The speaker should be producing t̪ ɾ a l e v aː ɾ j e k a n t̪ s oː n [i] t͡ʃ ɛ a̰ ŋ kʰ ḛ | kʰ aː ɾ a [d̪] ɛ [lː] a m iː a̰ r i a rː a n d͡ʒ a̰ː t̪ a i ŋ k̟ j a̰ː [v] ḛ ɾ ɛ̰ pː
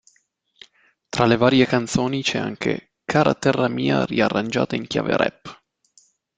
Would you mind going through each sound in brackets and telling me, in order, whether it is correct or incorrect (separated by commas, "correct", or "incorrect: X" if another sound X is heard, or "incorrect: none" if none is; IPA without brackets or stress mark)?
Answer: correct, incorrect: t̪, incorrect: rː, correct